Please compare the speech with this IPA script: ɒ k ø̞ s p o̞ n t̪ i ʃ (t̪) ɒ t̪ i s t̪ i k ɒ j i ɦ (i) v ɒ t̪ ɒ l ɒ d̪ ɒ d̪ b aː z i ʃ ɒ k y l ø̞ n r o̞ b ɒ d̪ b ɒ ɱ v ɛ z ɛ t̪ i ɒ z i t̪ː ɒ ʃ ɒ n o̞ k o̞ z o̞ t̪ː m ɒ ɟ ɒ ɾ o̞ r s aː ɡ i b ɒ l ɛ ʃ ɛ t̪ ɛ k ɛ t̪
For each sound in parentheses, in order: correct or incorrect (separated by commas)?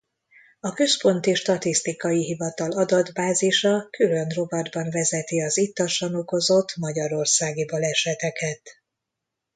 correct, correct